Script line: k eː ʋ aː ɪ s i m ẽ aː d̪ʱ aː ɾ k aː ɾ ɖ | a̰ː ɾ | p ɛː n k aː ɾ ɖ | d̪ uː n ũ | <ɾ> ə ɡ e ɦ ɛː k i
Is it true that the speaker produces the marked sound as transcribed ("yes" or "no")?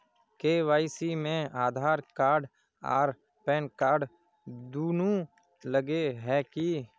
no